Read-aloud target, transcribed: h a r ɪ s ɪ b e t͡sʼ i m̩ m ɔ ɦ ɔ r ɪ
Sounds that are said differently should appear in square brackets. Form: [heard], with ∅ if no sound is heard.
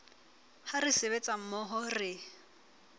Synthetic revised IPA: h a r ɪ s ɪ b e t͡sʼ [a] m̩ m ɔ ɦ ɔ r ɪ